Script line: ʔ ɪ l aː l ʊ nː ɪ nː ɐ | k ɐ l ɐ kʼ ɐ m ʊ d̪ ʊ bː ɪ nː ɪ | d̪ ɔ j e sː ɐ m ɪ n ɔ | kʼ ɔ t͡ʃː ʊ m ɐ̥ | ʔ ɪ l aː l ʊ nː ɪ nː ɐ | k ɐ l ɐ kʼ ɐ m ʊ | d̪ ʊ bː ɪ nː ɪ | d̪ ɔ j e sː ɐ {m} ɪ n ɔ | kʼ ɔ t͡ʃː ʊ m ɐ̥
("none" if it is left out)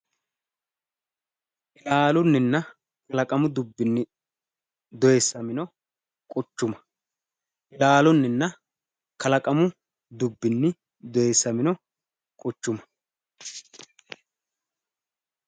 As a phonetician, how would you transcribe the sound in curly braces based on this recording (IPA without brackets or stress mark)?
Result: m